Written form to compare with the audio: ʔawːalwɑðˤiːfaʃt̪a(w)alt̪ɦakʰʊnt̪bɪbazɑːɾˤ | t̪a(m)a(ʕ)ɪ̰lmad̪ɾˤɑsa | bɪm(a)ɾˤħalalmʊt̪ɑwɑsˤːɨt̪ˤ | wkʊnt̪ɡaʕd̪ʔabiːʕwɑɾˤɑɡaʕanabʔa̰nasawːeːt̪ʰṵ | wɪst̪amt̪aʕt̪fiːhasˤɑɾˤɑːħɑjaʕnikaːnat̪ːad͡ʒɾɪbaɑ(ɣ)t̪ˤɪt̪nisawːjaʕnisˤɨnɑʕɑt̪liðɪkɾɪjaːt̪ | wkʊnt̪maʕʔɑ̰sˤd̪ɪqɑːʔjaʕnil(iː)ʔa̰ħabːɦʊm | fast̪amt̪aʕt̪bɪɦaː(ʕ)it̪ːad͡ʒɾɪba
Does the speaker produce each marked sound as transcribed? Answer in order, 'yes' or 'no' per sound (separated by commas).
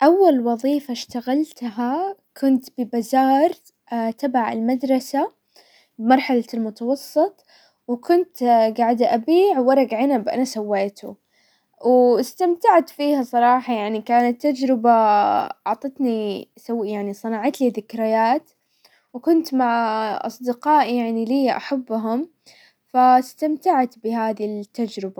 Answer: no, no, yes, no, no, yes, no